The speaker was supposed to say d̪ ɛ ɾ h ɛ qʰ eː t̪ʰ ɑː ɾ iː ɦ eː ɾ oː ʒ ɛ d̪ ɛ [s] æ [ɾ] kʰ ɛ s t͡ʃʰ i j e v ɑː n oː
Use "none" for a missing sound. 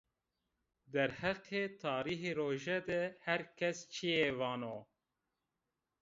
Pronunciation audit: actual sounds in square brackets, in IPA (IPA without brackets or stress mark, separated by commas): h, ɾ